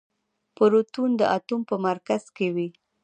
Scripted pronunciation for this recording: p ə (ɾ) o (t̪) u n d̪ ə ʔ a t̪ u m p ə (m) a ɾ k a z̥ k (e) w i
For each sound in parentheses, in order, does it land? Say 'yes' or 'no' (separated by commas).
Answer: yes, yes, yes, yes